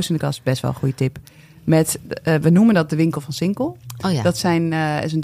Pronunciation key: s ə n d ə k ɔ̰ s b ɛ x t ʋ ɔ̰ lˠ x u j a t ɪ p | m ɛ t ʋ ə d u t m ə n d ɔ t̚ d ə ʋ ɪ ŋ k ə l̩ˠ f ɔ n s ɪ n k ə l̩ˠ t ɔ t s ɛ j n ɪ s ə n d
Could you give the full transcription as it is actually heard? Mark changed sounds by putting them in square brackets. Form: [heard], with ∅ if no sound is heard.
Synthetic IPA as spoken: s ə n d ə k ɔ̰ s b ɛ [s] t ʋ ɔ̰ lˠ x u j [ə] t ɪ p | m ɛ t ʋ ə [n] u [∅] m ə n d ɔ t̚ d ə ʋ ɪ ŋ k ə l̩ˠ f ɔ n s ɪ [ŋ] k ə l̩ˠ [d] ɔ t s ɛ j n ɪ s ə n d